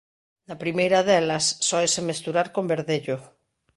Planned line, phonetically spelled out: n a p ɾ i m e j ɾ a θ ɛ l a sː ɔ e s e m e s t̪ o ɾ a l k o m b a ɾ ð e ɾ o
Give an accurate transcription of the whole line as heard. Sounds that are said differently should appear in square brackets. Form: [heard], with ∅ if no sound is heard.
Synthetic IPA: n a p ɾ i m e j ɾ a [ð] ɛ l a sː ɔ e s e m e s t̪ [u] ɾ a [ɾ] k o m b [e] ɾ ð e [ʎ] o

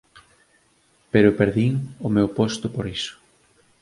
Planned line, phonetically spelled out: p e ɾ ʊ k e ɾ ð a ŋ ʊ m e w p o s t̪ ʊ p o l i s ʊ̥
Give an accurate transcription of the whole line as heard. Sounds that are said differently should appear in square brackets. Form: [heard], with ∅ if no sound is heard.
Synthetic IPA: p e ɾ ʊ [p] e ɾ ð [i] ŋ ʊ m e w p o s t̪ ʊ p o [ɾ] i s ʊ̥

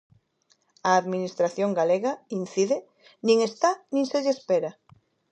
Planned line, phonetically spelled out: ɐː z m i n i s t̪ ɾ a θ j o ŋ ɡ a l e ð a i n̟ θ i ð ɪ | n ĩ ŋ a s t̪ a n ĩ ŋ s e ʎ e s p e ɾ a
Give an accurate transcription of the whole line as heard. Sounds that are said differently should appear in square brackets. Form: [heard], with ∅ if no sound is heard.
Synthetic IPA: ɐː [ð] m i n i s t̪ ɾ a θ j o ŋ ɡ a l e [ɣ] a i n̟ θ i ð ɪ | n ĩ ŋ [e] s t̪ a n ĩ ŋ s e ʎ e s p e ɾ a

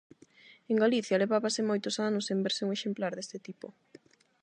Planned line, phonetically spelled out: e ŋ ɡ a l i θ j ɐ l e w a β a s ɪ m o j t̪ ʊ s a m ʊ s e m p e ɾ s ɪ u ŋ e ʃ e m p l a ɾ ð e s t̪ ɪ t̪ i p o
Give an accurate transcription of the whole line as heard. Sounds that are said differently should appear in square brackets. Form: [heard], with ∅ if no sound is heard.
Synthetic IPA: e ŋ ɡ a l i θ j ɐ l e [β] a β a s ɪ m o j t̪ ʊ s a [n] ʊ s e m [b] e ɾ s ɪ u ŋ e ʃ e m p l a ɾ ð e s t̪ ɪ t̪ i p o

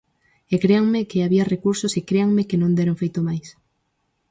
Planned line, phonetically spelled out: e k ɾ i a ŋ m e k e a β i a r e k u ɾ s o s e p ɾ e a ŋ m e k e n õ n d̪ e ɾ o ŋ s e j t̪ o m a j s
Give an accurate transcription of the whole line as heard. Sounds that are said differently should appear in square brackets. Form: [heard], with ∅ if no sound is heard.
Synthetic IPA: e k ɾ [e] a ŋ m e k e a β i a r e k u ɾ s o s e [k] ɾ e a ŋ m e k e n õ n d̪ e ɾ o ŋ [f] e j t̪ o m a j s

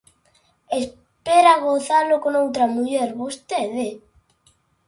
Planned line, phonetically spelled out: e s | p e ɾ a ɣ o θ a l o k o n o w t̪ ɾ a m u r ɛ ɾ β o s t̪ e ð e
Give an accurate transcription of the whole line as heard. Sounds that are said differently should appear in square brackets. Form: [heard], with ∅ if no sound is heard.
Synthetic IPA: e s | p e ɾ a ɣ o θ a l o k o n o w t̪ ɾ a m u [ʎ] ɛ ɾ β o s t̪ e ð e

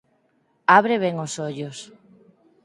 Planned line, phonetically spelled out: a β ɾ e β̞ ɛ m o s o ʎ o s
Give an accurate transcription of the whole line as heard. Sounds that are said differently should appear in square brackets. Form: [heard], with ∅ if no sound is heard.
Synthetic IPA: a β ɾ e β̞ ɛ [ŋ] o s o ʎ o s

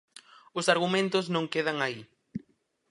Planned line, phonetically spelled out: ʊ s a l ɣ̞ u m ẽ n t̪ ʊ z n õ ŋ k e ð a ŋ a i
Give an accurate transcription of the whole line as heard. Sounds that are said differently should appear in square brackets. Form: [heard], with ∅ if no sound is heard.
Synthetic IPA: ʊ s a [ɾ] ɣ̞ u m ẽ n t̪ ʊ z n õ ŋ k e ð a ŋ a i

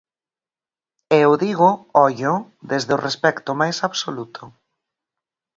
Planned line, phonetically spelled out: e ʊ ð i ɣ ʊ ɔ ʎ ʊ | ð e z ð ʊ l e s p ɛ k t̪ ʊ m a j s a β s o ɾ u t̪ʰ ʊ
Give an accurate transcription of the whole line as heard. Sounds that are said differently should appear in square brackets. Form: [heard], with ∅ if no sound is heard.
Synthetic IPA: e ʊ ð i ɣ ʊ ɔ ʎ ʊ | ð e z ð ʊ [r] e s p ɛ k t̪ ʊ m a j s a β s o [l] u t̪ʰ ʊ

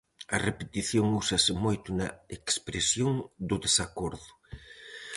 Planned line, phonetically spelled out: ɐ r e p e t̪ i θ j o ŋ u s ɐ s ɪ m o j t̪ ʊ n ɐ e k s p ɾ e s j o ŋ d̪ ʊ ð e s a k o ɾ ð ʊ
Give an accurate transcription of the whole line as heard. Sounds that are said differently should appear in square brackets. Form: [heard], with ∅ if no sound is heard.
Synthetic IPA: ɐ r e p e t̪ i θ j o ŋ u s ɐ s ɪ m o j t̪ ʊ n ɐ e k s p ɾ e s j o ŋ d̪ ʊ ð e s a k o ɾ ð ʊ

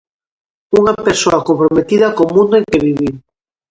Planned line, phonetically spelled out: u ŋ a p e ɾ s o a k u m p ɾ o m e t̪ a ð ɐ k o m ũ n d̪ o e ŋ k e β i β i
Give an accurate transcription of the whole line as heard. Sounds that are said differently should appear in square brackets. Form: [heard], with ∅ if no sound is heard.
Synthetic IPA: u ŋ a p e ɾ s o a k [o] m p ɾ o m e t̪ [i] ð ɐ k o m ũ n d̪ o e ŋ k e β i β i

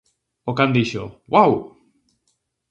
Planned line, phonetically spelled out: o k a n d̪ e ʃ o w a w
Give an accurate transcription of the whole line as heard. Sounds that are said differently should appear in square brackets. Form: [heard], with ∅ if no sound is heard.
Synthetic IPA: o k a n d̪ [i] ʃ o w a w

